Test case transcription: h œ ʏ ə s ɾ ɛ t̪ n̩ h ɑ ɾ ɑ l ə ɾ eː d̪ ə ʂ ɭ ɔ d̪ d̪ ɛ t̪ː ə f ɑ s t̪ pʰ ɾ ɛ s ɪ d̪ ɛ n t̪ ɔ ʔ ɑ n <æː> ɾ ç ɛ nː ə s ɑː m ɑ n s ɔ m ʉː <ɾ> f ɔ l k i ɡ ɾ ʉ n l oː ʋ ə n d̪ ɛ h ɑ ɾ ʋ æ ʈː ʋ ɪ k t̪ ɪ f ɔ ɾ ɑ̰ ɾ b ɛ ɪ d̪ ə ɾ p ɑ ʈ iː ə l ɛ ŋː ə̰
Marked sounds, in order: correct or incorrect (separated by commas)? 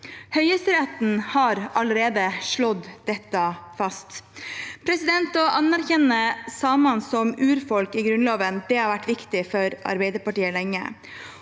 incorrect, correct